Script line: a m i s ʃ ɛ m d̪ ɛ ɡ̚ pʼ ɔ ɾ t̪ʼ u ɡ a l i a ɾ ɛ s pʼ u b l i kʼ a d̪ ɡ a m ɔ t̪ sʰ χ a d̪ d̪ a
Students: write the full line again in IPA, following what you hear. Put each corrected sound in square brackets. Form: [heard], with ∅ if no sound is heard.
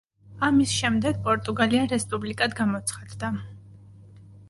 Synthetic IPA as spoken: a m i s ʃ ɛ m d̪ ɛ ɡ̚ pʼ ɔ ɾ t̪ʼ u ɡ a l i a ɾ ɛ s pʼ u b l i kʼ a d̪ ɡ a m ɔ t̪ sʰ χ a d̪ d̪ a